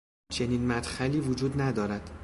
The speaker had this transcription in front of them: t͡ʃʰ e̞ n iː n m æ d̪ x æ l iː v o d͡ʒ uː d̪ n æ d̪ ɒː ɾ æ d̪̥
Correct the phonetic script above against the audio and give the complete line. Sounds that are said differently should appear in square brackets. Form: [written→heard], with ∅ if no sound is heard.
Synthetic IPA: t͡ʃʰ e̞ n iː n m æ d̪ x æ l iː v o d͡ʒ uː d̪ n æ d̪ ɒː ɾ æ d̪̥